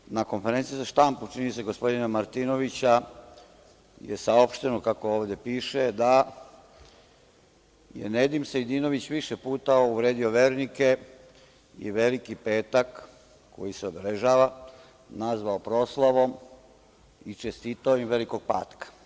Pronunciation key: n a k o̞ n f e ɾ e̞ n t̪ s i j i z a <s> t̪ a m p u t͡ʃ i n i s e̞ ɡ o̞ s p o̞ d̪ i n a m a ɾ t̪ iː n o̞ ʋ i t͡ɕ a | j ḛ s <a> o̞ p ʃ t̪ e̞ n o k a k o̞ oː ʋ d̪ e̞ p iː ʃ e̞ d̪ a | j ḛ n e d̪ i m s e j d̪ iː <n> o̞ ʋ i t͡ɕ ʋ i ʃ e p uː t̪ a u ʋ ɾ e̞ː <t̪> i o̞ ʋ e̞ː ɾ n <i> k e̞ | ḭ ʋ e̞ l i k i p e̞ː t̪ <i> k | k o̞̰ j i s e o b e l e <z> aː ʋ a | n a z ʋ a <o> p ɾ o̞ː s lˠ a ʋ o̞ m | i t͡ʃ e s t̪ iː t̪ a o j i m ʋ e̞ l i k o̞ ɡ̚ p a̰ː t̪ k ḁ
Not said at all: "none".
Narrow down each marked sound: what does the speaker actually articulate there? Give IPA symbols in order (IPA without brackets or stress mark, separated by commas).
ʃ, a, n, d̪, i, a, ʒ, o